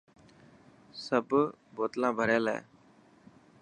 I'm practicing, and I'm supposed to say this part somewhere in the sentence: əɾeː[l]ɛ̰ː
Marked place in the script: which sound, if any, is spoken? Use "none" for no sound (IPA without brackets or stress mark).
l